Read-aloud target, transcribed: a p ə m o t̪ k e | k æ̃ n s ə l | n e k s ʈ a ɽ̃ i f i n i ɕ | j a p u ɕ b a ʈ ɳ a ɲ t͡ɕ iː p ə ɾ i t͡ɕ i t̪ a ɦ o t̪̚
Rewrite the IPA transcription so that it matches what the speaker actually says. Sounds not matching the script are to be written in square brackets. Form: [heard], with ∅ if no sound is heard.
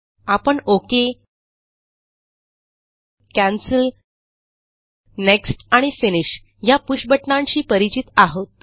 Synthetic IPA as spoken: a p ə [ɳ] o [∅] k e | k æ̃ n s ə l | n e k s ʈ a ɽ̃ i f i n i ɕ | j a p u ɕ b [ə] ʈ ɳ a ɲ t͡ɕ iː p ə ɾ i t͡ɕ i t̪ a ɦ o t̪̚

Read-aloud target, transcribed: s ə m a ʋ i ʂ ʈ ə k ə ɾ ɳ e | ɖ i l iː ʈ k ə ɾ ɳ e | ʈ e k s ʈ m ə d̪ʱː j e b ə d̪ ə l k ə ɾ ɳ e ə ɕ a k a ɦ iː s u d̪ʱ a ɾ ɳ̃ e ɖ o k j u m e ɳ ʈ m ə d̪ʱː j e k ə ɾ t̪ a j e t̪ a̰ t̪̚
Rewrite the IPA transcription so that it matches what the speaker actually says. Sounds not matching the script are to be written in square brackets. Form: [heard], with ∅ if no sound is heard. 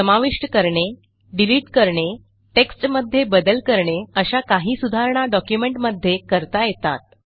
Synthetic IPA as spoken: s ə m a ʋ i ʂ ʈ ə k ə ɾ ɳ e | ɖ i l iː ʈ k ə ɾ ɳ e | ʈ e k s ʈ m ə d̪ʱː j e b ə d̪ ə l k ə ɾ ɳ e ə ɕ a k a ɦ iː s u d̪ʱ a ɾ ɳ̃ [a] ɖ [ɔ] k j u m e ɳ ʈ m ə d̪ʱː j e k ə ɾ t̪ a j e t̪ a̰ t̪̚

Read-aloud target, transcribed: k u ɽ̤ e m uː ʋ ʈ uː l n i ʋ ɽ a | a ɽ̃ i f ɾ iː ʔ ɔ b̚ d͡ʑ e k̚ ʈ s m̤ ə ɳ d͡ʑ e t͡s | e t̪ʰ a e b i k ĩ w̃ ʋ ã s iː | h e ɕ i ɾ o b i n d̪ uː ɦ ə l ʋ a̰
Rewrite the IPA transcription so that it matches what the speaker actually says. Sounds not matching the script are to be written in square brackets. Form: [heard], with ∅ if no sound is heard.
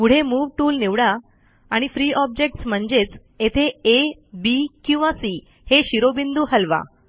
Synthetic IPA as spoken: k u ɽ̤ e m uː ʋ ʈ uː l n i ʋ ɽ a | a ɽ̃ i f ɾ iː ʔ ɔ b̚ d͡ʑ e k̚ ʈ s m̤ ə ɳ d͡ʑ e t͡s | e t̪ʰ [e] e b i k ĩ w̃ ʋ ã s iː | h e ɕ i ɾ o b i n d̪ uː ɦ ə l ʋ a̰

